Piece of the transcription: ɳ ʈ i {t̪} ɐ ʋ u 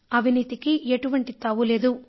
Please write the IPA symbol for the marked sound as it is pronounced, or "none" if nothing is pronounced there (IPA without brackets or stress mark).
t̪